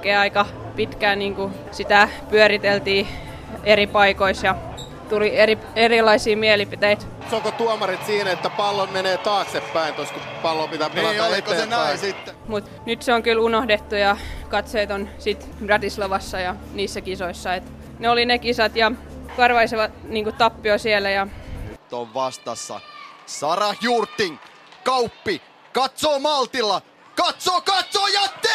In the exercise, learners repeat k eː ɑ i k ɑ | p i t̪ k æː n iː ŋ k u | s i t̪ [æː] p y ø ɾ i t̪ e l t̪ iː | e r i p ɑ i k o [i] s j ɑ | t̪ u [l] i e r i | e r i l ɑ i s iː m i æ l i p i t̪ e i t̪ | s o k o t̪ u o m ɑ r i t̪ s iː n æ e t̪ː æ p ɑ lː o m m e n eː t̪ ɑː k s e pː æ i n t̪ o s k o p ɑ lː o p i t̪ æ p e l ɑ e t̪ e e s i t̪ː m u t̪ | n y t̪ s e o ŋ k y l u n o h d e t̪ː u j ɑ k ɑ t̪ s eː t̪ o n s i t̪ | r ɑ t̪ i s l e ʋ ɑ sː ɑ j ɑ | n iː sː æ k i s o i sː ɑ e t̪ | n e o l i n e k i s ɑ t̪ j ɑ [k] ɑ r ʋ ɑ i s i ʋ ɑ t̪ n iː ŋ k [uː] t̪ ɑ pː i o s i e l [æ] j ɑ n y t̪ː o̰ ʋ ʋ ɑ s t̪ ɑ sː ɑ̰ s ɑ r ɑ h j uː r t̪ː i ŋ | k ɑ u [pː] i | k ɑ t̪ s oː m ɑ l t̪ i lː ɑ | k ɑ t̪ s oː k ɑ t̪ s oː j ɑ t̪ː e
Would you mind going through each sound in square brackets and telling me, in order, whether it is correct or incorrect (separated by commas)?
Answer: incorrect, correct, correct, correct, incorrect, correct, correct